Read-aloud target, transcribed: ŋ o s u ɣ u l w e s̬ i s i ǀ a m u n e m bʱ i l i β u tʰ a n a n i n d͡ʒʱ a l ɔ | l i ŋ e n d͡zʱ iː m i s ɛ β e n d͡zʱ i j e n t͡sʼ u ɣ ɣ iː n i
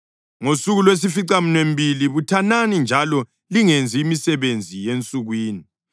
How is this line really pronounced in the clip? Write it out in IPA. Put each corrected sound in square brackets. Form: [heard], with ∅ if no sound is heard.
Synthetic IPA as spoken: ŋ o s u ɣ u l w e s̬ i [f] i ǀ a m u n e m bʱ i l i β u tʰ a n a n i n d͡ʒʱ a l ɔ | l i ŋ e n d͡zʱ iː m i s ɛ β e n d͡zʱ i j e n t͡sʼ u ɣ [w] iː n i